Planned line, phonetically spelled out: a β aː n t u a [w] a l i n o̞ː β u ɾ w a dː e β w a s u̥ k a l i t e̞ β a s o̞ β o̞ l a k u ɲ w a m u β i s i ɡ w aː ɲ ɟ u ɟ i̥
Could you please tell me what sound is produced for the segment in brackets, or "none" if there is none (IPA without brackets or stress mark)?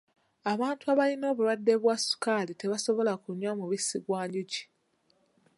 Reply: β